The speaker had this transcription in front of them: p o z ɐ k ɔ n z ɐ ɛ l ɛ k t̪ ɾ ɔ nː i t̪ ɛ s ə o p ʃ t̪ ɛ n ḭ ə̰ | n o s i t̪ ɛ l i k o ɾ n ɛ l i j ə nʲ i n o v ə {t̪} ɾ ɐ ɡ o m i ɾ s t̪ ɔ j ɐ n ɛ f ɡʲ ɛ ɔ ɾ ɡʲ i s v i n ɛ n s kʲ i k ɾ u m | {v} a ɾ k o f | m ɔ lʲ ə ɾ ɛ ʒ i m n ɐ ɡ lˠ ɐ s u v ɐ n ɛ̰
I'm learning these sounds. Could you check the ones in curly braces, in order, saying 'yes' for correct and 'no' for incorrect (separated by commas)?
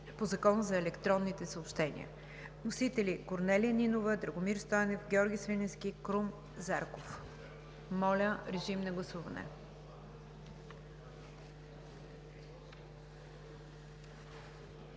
no, no